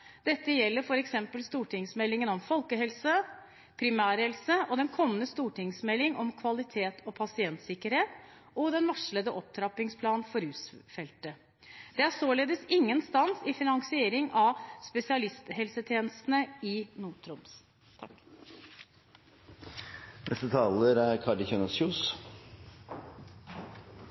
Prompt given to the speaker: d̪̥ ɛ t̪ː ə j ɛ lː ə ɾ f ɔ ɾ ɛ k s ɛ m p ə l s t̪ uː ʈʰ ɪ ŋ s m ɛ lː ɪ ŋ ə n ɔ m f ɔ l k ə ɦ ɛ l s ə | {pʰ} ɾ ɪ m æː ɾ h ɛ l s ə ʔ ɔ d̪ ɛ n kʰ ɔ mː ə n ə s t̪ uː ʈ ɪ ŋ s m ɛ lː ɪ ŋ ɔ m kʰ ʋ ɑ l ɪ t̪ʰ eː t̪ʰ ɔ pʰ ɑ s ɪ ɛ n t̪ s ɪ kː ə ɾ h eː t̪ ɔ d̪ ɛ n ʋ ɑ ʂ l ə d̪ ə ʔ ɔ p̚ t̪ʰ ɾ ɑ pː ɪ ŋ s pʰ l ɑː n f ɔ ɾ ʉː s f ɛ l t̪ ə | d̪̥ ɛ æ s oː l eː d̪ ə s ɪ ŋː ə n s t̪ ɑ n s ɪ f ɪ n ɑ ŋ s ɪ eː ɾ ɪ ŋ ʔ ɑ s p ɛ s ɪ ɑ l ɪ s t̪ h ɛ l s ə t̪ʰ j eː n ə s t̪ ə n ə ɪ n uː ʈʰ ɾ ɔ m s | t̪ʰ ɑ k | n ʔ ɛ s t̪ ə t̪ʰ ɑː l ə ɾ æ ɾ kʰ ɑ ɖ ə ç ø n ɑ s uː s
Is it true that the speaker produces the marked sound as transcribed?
yes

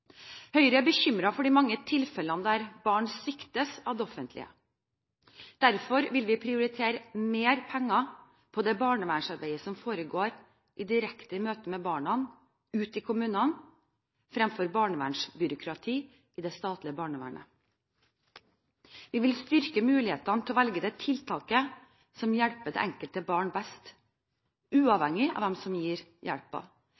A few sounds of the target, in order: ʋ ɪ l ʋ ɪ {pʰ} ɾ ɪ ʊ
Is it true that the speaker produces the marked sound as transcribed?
yes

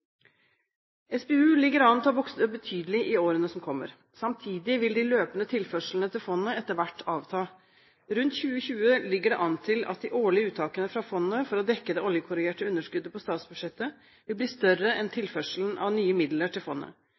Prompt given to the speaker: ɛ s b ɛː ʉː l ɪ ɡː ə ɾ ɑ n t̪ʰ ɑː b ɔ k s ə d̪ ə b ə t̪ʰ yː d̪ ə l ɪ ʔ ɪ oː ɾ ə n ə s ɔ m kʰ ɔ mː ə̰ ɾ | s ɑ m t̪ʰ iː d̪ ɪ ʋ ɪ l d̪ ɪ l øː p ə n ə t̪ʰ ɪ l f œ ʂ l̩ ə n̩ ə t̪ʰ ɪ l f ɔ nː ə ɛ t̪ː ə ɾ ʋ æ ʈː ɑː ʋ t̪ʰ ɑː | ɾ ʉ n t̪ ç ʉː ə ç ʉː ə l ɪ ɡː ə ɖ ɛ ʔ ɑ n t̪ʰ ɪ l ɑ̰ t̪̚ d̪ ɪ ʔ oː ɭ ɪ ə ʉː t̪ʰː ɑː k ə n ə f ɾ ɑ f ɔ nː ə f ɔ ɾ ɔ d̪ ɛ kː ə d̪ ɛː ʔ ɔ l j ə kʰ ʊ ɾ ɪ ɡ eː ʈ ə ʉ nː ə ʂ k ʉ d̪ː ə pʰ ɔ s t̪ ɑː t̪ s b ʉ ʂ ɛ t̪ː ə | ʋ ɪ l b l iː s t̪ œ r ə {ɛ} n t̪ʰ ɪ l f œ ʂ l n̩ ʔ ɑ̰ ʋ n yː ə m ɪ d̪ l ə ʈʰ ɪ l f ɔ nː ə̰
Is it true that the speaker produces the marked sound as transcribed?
yes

